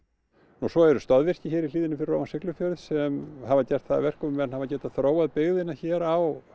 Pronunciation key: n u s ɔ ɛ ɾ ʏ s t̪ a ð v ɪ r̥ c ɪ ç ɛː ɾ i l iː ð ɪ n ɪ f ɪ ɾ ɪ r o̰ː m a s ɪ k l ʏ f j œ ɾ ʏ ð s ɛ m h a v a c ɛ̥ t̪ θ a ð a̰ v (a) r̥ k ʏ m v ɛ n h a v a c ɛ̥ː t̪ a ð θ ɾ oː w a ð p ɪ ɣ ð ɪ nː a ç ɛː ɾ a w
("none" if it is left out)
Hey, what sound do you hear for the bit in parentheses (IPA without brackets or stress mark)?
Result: ɛ